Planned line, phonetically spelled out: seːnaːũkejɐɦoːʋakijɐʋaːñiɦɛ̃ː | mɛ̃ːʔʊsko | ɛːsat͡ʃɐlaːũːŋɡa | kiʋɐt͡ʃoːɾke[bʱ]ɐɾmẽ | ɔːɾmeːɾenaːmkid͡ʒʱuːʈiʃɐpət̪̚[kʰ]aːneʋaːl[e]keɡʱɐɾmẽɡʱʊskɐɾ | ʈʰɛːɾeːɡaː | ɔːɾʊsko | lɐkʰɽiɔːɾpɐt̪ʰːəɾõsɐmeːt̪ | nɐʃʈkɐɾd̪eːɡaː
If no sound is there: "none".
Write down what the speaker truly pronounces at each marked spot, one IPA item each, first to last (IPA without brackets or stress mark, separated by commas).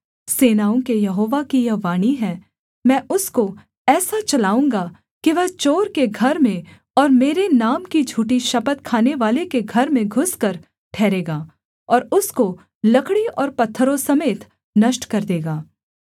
ɡʱ, kʰ, e